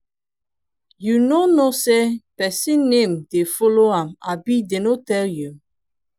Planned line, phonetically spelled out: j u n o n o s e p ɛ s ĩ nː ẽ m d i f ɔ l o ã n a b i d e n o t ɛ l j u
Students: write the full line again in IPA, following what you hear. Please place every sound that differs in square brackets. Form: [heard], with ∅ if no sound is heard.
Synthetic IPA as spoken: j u n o n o s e p ɛ s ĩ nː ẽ m d [e] f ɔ l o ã [m] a b i d e n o t ɛ l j u